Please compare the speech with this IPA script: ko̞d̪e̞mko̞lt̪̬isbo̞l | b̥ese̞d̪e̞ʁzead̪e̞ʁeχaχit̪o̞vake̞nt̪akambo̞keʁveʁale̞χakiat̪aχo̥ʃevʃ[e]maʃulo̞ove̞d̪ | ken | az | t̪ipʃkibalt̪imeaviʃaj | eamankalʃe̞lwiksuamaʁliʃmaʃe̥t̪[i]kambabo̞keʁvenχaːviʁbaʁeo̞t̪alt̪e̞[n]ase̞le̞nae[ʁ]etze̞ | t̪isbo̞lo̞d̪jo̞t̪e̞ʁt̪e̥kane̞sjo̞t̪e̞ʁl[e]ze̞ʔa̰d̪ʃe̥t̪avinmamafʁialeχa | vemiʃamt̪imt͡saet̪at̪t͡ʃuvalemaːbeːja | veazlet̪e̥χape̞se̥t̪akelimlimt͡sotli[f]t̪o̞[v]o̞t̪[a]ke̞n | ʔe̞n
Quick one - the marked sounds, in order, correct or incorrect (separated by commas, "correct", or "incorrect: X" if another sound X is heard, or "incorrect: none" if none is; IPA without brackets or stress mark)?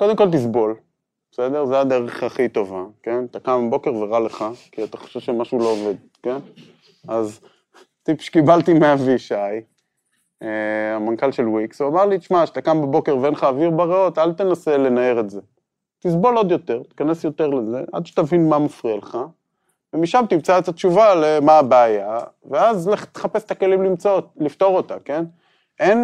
correct, incorrect: a, correct, correct, correct, correct, incorrect: ʁ, correct